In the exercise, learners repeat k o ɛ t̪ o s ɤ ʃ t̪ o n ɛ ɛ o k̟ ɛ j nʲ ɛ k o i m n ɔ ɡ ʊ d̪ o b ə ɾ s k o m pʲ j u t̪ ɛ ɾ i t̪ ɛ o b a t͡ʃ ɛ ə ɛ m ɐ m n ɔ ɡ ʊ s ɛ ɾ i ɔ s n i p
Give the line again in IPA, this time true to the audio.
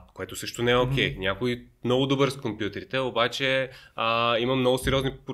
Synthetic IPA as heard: k o ɛ t̪ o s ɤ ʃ t̪ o n ɛ ɛ o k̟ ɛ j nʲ a k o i m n ɔ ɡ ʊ d̪ o b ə ɾ s k o m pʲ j u t̪ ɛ ɾ i t̪ ɛ o b a t͡ʃ ɛ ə i m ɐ m n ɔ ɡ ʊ s ɛ ɾ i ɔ z n i p